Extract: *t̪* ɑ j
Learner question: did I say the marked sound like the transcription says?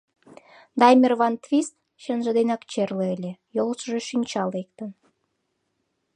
no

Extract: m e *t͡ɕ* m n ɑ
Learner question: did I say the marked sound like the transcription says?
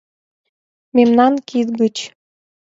no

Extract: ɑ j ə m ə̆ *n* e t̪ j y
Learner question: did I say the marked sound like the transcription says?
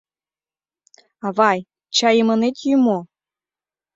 yes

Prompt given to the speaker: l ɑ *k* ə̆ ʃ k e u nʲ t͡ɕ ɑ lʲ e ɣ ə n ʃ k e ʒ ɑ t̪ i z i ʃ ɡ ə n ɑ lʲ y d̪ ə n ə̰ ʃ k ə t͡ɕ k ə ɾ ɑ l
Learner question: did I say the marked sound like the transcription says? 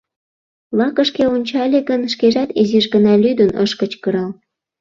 yes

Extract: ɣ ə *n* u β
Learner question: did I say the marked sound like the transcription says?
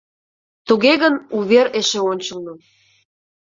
yes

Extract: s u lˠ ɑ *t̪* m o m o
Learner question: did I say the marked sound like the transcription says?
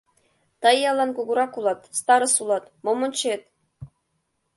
yes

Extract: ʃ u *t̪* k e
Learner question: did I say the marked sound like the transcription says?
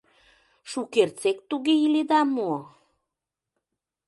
no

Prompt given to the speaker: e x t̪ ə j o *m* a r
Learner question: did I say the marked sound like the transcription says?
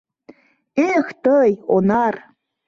no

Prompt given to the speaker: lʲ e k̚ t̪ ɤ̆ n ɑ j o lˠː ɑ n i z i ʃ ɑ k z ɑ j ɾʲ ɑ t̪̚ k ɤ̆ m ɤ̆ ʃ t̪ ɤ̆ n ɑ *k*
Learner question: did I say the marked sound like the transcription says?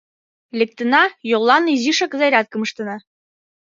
no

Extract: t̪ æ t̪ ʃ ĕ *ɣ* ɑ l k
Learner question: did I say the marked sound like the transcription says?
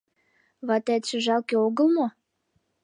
no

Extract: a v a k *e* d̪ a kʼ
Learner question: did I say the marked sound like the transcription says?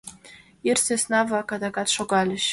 no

